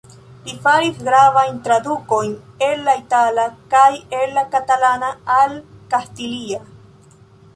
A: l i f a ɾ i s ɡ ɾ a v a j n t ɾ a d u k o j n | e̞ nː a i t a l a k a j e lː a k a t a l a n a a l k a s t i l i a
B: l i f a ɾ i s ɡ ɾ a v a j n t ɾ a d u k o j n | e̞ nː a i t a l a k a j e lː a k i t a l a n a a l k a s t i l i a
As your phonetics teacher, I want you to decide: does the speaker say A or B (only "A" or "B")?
A